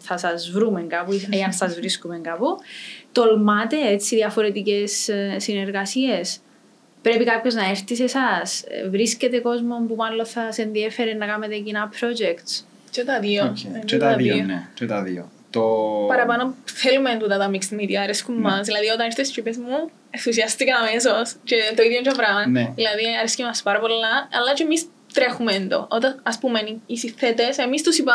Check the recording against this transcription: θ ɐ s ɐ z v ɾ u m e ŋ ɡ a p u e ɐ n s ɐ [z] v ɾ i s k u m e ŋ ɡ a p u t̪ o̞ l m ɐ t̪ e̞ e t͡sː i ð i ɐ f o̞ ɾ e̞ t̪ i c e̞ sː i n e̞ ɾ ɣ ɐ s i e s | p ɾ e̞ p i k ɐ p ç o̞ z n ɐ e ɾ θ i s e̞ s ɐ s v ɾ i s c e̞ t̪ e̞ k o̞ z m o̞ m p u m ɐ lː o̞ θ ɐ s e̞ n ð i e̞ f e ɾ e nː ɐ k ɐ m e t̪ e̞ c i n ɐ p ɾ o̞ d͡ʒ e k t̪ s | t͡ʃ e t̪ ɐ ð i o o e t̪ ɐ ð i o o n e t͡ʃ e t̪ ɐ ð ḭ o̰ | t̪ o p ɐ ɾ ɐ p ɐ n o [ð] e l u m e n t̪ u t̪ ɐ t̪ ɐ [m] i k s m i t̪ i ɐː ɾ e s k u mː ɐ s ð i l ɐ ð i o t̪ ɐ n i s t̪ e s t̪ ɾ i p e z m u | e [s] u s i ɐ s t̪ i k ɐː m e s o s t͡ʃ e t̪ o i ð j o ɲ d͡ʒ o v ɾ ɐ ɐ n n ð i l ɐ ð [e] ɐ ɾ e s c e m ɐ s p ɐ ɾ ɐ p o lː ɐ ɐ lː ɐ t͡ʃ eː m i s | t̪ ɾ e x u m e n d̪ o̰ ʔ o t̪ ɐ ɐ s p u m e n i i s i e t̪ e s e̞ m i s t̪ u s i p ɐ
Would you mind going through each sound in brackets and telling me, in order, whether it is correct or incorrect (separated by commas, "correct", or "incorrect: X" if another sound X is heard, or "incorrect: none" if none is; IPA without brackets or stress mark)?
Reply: correct, incorrect: θ, correct, incorrect: θ, incorrect: i